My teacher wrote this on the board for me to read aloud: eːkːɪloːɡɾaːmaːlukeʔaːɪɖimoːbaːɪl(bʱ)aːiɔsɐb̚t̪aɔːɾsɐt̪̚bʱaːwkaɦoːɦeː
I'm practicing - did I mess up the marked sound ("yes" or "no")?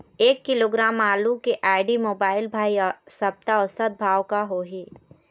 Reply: no